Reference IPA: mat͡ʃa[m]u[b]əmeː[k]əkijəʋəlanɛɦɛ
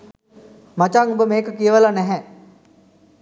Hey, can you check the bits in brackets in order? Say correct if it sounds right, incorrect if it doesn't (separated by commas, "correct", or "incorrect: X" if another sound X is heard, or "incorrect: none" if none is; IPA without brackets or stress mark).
incorrect: ŋ, correct, correct